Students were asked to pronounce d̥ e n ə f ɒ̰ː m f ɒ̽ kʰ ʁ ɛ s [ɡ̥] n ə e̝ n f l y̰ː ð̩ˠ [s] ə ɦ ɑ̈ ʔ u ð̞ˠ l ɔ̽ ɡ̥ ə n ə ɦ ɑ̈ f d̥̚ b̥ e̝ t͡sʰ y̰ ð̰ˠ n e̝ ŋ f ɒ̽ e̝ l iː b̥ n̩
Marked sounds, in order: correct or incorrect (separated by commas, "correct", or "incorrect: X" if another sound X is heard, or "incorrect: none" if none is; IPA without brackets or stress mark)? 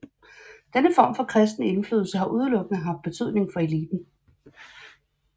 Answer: incorrect: d̥, correct